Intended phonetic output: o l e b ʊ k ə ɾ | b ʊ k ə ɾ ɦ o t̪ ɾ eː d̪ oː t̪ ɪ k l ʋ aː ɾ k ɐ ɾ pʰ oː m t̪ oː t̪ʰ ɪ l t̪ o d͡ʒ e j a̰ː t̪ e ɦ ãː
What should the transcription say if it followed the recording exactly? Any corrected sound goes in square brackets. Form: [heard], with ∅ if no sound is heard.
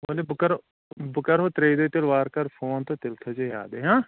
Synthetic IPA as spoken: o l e b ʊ k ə ɾ | b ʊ k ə ɾ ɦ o t̪ ɾ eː d̪ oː t̪ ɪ [∅] l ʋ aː ɾ k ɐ ɾ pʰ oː [n] t̪ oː [t̪] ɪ l [t̪ʰ] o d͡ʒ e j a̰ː [d̪] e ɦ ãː